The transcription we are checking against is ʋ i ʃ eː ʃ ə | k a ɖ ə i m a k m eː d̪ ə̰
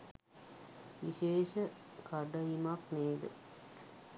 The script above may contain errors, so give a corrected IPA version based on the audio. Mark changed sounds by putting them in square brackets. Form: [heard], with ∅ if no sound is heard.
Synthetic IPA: ʋ i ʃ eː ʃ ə | k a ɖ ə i m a k [n] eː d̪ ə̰

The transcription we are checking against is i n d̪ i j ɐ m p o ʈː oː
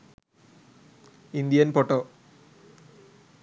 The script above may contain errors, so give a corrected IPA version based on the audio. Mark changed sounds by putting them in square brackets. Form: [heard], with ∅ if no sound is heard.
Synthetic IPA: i n d̪ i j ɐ [n] p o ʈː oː

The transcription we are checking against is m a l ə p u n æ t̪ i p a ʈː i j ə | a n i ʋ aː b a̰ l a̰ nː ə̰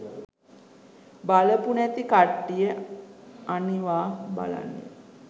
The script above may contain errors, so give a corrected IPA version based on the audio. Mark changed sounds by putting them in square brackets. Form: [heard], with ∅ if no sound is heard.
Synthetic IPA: [b] a l ə p u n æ t̪ i [k] a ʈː i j ə | a n i ʋ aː b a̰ l a̰ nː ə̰

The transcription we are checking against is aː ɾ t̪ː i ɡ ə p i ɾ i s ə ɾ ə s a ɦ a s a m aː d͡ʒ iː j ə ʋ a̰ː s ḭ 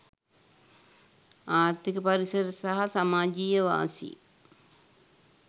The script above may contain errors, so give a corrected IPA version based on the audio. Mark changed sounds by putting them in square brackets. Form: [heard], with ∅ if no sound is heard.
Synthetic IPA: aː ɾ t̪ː i [k] ə p [a] ɾ i s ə ɾ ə s a ɦ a s a m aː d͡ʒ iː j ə ʋ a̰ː s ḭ

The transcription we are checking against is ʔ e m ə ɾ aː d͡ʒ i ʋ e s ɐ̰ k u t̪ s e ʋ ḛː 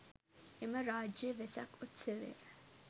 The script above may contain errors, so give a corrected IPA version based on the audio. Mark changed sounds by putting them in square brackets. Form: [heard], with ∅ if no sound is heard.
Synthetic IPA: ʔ e m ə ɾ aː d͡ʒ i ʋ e s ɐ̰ k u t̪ s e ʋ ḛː

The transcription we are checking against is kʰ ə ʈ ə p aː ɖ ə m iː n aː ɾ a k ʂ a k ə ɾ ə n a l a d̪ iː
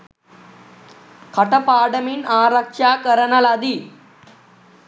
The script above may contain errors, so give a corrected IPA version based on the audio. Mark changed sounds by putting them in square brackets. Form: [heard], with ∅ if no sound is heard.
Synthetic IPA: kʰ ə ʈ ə p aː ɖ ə m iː n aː ɾ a k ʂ a k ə ɾ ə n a l a d̪ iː

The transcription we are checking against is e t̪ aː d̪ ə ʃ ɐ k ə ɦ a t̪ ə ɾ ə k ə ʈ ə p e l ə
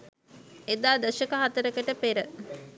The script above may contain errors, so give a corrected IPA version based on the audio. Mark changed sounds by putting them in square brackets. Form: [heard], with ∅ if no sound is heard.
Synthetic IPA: e [d̪] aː d̪ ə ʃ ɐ k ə ɦ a t̪ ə ɾ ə k ə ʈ ə p e [ɾ] ə

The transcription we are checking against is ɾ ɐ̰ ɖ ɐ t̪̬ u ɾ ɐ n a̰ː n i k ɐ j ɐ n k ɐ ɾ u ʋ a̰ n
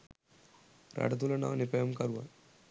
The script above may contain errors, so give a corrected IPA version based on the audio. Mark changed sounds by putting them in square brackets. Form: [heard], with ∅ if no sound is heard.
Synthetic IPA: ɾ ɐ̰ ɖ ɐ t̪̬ u [l] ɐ n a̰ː n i [p] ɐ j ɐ [m] k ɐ ɾ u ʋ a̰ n

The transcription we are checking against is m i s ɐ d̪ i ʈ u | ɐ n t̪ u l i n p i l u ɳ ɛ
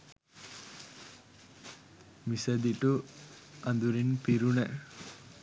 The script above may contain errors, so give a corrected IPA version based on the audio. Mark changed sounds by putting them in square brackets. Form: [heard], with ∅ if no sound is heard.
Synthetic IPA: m i s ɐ d̪ i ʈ u | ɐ n [d̪] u [ɾ] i n p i [ɾ] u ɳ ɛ

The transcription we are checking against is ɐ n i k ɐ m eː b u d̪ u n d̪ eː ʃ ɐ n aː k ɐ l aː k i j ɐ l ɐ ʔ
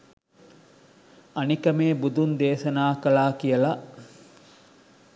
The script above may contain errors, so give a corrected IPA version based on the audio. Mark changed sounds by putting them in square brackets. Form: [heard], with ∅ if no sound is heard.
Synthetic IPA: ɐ n i k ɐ m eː b u d̪ u n d̪ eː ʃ ɐ n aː k ɐ l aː k i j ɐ l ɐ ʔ

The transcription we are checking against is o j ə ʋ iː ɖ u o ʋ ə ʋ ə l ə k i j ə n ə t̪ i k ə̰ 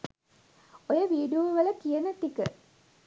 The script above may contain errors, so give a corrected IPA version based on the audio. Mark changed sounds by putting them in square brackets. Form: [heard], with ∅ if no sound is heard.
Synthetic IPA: o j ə ʋ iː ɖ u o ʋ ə ʋ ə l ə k i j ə n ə t̪ i k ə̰

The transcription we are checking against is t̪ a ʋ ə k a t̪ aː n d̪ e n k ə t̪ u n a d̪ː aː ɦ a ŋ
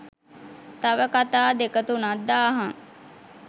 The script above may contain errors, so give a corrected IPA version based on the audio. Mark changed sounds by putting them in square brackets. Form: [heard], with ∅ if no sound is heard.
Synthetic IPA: t̪ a ʋ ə k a t̪ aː [∅] d̪ e [∅] k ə t̪ u n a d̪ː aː ɦ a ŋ

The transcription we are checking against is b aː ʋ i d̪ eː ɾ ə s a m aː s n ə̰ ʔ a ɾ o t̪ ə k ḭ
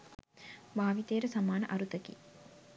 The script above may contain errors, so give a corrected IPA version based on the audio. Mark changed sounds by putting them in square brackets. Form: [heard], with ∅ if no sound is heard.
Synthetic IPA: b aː ʋ i [t̪] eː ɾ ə s a m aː [∅] n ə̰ ʔ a ɾ [u] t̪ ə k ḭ

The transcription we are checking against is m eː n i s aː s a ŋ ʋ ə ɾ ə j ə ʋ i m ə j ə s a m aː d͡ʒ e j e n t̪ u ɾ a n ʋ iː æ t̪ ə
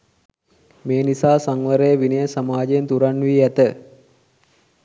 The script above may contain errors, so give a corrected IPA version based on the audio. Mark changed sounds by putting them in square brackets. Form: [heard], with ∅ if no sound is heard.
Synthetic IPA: m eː n i s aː s a ŋ ʋ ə ɾ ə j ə ʋ i [n] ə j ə s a m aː d͡ʒ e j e n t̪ u ɾ a n ʋ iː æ t̪ ə

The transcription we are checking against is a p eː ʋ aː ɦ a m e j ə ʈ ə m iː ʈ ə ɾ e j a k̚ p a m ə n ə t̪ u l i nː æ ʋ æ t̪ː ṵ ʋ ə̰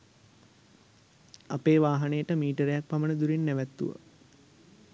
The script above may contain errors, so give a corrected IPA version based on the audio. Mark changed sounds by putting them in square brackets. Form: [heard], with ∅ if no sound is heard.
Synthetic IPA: a p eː ʋ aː ɦ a [n] e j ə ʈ ə m iː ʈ ə ɾ e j a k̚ p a m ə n ə [d̪] u [ɾ] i nː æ ʋ æ t̪ː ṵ ʋ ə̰

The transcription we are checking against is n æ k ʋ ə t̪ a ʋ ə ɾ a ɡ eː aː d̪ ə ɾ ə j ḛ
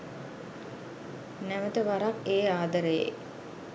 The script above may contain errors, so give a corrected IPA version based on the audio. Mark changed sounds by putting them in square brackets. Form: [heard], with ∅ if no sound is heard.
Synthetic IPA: n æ [∅] ʋ ə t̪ [ə] ʋ [a] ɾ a [k] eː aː d̪ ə ɾ ə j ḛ

